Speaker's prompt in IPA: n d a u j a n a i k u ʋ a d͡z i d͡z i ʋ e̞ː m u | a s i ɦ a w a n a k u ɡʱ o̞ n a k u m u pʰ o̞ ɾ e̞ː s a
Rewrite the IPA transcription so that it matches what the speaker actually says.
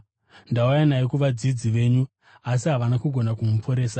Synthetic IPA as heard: n d a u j a n a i k u ʋ a d͡z i d͡z i ʋ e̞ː ɲ u | a s i ɦ a ʋ a n a k u ɡʱ o̞ n a k u m u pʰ o̞ ɾ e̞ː s a

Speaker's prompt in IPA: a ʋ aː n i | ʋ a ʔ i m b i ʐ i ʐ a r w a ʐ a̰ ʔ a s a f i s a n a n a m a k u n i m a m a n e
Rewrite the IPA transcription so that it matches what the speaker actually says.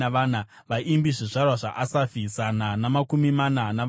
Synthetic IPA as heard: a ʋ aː n a | ʋ a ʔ i m b i ʐ i ʐ a r w a ʐ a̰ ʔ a s a f i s a n a n a m a k u m i m a n a n a

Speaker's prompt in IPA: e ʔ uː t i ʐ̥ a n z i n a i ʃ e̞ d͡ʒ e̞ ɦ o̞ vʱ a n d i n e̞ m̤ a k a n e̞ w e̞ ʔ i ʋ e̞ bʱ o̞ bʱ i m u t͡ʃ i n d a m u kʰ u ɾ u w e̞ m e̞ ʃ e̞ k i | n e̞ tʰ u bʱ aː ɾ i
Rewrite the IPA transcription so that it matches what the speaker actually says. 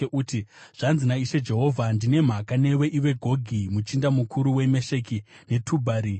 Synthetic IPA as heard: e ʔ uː t i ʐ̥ a n z i n a i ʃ e̞ d͡ʒ e̞ ɦ o̞ vʱ a n d i n e̞ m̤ a k a n e̞ w e̞ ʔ i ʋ e̞ ɡʱ o̞ ɡʱ i m u t͡ʃ i n d a m u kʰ u ɾ u w e̞ m e̞ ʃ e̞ k i | n e̞ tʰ u bʱ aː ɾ i

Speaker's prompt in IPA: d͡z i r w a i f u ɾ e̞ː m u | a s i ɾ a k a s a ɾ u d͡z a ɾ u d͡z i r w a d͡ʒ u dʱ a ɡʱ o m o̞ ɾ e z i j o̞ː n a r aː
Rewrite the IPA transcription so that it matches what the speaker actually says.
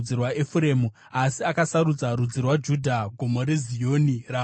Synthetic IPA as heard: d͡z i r w a e f u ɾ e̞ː m u | a s i a k a s a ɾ u d͡z a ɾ u d͡z i r w a d͡ʒ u dʱ a ɡʱ o m o̞ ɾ e z i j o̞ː n i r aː

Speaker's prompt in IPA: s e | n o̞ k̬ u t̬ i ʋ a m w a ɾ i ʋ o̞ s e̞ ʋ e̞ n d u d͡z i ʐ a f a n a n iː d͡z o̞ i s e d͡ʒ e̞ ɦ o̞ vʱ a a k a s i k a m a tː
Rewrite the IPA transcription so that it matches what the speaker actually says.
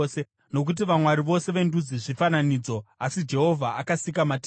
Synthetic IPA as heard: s e | n o̞ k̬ u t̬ i ʋ a m w a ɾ i ʋ o̞ s e̞ ʋ e̞ n d u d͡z i ʐ i f a n a n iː d͡z o̞ a s i d͡ʒ e̞ ɦ o̞ vʱ a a k a s i k a m a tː

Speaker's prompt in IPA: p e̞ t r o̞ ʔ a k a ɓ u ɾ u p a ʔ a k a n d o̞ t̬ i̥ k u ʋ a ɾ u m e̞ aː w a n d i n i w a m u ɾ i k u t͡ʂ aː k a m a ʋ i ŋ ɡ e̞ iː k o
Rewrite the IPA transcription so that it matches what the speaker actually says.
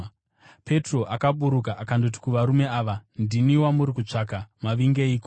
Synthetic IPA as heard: p e̞ t r o̞ ʔ a k a ɓ u ɾ u k a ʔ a k a n d o̞ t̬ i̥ k u ʋ a ɾ u m e̞ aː ʋ a n d i n i w a m u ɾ i k u t͡ʂ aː k a m a ʋ i ŋ ɡ e̞ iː k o

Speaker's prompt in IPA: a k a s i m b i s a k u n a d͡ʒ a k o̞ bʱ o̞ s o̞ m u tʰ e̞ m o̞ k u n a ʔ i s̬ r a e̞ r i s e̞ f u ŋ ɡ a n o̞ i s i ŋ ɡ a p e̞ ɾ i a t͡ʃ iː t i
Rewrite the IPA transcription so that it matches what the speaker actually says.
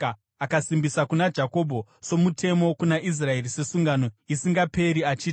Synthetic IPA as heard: a k a s i m b i s a k u n a d͡ʒ a k o̞ bʱ o̞ s o̞ m u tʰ e̞ m o̞ k u n a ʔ i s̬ r a e̞ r i s e̞ s u ŋ ɡ a n o̞ i s i ŋ ɡ a p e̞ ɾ i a t͡ʃ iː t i

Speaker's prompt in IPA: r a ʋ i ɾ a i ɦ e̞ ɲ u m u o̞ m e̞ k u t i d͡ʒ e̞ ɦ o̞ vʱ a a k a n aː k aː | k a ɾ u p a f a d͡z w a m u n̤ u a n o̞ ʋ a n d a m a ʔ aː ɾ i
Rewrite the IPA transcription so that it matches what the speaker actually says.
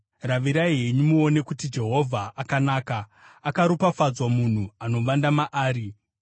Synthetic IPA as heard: r a ʋ i ɾ a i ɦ e̞ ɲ u m u o̞ n e̞ k u t i d͡ʒ e̞ ɦ o̞ vʱ a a k a n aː k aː | k a ɾ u p a f a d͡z w a m u n̤ u a n o̞ ʋ a n d a m a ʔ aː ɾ i

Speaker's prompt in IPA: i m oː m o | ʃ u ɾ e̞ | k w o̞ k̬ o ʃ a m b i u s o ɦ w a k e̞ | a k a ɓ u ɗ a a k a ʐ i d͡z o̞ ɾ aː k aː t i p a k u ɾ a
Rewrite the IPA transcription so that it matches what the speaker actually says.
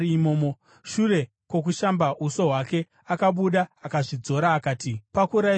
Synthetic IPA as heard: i m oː m o | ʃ u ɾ e̞ | k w o̞ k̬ u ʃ a m b a u s o ɦ w a k e̞ | a k a ɓ u ɗ a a k a ʐ i d͡z o̞ ɾ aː k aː t i p a k u ɾ a

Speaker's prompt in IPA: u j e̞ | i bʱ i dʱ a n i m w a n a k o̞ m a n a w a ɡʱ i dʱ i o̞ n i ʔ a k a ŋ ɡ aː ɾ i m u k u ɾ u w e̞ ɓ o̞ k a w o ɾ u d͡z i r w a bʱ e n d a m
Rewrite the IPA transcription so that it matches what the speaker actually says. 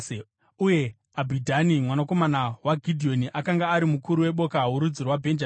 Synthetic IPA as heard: u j e̞ | a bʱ i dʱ a n i m w a n a k o̞ m a n a w a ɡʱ i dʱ i o̞ n i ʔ a k a ŋ ɡ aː ɾ i m u k u ɾ u w e̞ ɓ o̞ k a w u ɾ u d͡z i r w a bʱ e n d͡ʒ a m

